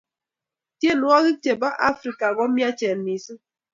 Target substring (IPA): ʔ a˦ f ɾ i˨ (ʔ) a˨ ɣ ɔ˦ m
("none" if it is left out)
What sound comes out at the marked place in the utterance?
k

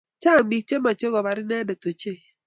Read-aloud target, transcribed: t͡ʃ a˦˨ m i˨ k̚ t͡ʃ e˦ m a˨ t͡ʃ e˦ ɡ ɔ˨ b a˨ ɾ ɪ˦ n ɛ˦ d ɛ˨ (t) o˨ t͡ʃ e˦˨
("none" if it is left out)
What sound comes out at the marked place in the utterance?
t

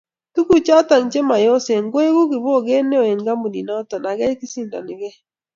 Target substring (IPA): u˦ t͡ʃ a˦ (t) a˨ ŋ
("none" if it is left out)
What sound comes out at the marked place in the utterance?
t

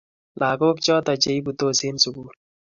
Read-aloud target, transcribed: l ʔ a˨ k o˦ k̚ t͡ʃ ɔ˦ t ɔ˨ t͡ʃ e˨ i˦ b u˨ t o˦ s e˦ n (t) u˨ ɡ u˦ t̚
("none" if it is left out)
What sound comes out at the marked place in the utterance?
s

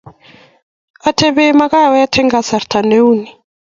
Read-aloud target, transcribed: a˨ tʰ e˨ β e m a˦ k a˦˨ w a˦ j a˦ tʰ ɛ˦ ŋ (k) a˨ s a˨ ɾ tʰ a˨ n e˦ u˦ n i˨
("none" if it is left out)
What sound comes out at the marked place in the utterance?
ɡ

